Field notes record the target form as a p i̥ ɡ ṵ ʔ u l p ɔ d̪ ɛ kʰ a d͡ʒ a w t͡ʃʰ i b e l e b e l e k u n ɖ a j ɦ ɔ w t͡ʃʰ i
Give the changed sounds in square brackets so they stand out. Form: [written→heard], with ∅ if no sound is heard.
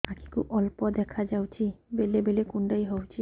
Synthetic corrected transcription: a [p→k] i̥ [ɡ→k] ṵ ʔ [u→ɔ] l p ɔ d̪ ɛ kʰ a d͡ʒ a w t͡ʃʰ i b e l e b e l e k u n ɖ a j ɦ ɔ w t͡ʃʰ i